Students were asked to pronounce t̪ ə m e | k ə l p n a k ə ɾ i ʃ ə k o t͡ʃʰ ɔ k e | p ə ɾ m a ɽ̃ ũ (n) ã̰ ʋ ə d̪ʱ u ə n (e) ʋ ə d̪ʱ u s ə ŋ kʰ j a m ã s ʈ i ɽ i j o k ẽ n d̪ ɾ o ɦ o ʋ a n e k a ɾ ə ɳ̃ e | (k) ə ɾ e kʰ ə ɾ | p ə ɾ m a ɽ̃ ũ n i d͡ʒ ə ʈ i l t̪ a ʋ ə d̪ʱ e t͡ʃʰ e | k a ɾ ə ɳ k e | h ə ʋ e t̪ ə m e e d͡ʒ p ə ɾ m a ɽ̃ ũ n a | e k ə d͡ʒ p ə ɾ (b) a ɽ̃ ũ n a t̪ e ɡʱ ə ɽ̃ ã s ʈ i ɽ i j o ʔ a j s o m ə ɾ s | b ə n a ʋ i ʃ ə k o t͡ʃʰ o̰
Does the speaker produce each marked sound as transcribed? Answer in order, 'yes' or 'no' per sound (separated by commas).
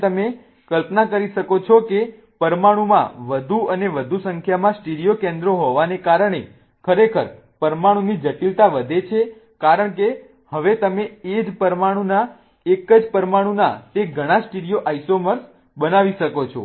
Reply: no, yes, no, no